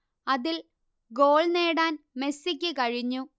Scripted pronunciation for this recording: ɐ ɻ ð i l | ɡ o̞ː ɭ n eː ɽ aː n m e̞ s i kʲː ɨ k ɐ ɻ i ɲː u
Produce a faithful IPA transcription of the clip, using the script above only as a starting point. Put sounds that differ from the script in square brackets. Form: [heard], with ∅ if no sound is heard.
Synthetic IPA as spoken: ɐ [∅] ð i l | ɡ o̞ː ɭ n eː ɽ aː n m e̞ s i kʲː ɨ k ɐ ɻ i ɲː u

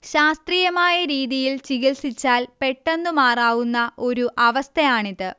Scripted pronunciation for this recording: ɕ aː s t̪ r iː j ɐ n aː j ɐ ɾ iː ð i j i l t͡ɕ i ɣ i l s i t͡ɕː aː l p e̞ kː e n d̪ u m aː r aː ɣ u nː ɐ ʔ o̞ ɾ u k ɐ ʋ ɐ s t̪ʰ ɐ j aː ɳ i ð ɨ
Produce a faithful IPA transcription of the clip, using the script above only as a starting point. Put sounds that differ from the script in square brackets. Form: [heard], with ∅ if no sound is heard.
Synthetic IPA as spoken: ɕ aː s t̪ r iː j ɐ [m] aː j ɐ ɾ iː ð i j i l t͡ɕ i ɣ i l s i t͡ɕː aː l p e̞ [ʈː] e n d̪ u m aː r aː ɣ u nː ɐ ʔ o̞ ɾ u [ʔ] ɐ ʋ ɐ s t̪ʰ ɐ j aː ɳ i ð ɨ

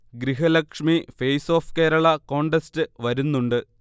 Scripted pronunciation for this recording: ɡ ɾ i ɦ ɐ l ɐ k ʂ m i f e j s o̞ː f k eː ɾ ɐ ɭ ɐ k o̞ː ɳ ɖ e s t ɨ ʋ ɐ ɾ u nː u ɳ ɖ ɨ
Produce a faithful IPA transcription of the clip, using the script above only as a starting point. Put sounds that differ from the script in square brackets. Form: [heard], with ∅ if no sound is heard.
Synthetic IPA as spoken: ɡ ɾ i ɦ ɐ l ɐ k ʂ m i f e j s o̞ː f k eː ɾ ɐ ɭ ɐ k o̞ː ɳ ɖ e s t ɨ ʋ ɐ ɾ u nː u ɳ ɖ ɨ

